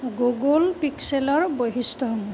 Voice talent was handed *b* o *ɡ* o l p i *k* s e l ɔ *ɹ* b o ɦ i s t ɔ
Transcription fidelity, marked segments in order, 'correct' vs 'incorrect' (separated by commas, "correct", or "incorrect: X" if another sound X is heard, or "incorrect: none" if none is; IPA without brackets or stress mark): incorrect: ɡ, correct, correct, correct